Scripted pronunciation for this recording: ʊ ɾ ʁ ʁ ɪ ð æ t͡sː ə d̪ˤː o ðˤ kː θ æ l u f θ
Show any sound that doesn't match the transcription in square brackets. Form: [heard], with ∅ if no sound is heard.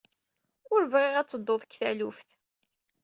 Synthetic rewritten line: ʊ ɾ [v] ʁ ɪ [ʁ] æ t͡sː ə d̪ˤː o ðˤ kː θ æ l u f θ